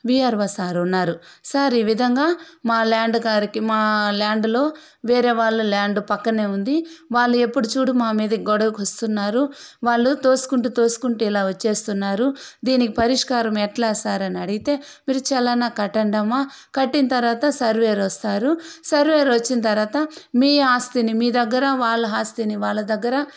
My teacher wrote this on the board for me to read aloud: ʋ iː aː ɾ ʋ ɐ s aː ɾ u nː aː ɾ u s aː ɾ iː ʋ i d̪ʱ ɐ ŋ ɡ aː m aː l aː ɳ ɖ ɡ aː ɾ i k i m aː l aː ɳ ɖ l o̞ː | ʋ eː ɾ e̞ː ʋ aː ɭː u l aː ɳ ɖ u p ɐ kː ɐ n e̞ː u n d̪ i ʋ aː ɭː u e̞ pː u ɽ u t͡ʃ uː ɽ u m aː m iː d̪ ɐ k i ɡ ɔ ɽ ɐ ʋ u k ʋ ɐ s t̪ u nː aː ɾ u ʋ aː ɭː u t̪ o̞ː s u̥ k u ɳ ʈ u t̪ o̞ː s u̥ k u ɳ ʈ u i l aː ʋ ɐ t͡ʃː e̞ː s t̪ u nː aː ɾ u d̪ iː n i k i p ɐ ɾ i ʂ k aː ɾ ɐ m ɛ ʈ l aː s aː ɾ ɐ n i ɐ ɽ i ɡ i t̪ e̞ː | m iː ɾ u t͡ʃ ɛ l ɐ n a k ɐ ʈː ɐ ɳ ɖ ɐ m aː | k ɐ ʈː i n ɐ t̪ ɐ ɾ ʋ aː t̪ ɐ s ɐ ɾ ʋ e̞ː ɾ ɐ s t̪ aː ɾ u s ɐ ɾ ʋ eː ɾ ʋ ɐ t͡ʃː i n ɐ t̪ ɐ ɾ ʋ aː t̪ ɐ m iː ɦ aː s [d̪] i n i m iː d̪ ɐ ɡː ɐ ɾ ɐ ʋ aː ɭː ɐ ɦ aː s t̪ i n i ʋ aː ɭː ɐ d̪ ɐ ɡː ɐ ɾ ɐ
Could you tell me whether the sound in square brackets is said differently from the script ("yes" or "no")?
yes